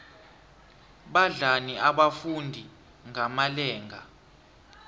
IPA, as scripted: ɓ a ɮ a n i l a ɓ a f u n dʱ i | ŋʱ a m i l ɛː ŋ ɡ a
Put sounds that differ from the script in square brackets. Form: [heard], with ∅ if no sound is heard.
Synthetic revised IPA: ɓ a ɮ a n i [∅] a ɓ a f u n dʱ i | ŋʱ a m [a] l ɛː ŋ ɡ a